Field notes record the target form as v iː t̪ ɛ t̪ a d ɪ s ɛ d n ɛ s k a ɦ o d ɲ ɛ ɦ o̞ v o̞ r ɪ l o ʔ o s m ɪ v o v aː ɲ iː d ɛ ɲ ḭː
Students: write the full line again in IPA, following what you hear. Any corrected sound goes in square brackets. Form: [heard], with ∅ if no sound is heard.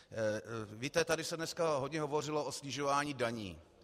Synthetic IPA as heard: v iː t̪ ɛ t̪ a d ɪ s ɛ d n ɛ s k a ɦ o d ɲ ɛ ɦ o̞ v o̞ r ɪ l o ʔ o s [ɲ] ɪ [ʒ] o v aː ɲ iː d [a] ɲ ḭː